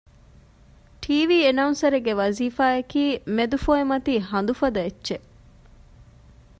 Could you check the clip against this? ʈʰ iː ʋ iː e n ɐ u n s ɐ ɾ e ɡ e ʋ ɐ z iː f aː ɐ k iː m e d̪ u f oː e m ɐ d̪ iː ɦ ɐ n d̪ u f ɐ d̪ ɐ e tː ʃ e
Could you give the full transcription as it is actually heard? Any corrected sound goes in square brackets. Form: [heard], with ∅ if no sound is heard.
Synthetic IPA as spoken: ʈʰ iː ʋ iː e n ɐ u n s ɐ ɾ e ɡ e ʋ ɐ z iː f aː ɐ k iː m e d̪ u f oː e m ɐ [t̪] iː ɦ ɐ n d̪ u f ɐ d̪ ɐ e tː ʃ e